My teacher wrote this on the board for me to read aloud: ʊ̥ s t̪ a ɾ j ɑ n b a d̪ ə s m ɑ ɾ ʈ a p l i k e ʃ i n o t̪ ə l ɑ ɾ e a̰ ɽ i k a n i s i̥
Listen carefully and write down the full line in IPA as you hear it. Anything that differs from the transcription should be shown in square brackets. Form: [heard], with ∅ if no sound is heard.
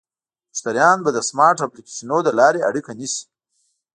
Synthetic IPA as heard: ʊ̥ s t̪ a ɾ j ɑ n b a d̪ ə s m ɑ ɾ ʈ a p l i k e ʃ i n o [d̪] ə l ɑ ɾ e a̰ ɽ i k a n i s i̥